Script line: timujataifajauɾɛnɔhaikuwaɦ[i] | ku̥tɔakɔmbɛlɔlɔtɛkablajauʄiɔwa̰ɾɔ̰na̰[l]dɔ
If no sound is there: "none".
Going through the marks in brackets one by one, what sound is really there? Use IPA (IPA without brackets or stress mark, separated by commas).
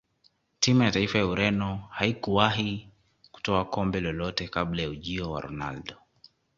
i, l